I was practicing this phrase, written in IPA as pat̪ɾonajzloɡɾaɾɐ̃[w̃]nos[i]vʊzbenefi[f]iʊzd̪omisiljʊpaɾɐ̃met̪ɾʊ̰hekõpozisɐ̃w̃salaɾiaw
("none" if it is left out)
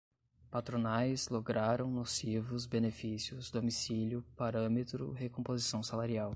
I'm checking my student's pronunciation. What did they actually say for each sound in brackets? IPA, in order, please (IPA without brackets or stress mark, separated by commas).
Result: w̃, i, s